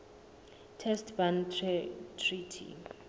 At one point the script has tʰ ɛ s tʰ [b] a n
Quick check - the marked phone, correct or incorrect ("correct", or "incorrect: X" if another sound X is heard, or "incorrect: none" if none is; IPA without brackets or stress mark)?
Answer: correct